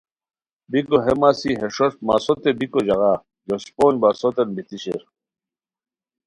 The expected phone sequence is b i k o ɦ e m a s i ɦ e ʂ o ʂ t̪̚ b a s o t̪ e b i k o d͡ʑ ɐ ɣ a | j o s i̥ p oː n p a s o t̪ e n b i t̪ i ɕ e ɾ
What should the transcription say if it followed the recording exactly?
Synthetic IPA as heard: b i k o ɦ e m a s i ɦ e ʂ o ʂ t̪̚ m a s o t̪ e b i k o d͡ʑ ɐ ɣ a | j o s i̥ p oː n b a s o t̪ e n b i t̪ i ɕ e ɾ